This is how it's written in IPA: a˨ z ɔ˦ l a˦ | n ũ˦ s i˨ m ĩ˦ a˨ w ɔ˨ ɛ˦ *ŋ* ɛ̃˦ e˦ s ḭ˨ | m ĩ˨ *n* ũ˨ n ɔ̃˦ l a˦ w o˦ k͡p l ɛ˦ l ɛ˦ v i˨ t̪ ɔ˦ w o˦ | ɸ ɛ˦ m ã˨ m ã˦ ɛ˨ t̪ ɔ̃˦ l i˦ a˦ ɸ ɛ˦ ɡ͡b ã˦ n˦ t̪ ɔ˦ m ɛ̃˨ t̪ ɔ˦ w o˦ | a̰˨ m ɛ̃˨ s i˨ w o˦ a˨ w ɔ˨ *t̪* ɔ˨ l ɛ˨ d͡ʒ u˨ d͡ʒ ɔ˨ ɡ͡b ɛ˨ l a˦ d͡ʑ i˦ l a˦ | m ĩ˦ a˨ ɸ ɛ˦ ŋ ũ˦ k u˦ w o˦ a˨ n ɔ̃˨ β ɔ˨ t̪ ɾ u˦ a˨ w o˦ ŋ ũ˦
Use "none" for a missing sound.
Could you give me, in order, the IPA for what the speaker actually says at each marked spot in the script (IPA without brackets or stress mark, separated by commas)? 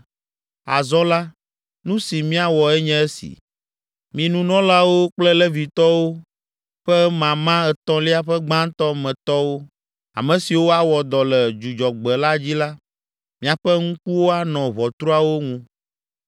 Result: ɲ, n, d̪